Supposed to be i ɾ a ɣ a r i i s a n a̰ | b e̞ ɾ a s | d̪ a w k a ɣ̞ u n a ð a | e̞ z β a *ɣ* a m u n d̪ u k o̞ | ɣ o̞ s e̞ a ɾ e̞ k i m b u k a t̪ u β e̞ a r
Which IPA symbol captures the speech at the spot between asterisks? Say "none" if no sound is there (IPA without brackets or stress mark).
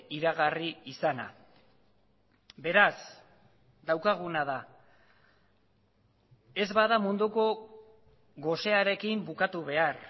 ð